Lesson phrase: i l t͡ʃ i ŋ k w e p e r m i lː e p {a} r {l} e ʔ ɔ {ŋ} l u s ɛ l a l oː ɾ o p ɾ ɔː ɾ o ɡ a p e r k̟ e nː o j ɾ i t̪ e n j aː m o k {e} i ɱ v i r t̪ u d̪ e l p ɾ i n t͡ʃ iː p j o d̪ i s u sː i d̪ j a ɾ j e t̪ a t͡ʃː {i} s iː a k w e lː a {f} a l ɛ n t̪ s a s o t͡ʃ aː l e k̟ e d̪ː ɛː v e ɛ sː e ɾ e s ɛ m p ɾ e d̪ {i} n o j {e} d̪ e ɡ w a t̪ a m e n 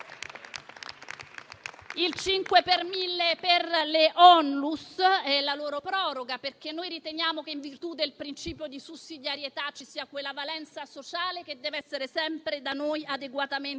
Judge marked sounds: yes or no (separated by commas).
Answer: no, yes, no, yes, yes, no, no, no